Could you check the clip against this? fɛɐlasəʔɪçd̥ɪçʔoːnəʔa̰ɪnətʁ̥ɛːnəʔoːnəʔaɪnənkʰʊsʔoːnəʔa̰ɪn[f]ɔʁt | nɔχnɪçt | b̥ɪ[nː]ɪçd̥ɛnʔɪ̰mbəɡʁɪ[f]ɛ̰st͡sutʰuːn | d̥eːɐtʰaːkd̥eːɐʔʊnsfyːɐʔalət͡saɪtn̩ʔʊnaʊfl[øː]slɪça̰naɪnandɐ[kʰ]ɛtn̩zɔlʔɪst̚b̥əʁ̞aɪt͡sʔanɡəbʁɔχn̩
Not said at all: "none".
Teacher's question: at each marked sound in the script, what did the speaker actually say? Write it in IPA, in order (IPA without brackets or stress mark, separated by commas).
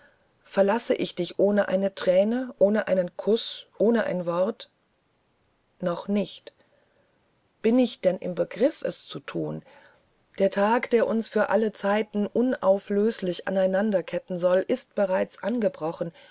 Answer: v, n, f, øː, kʰ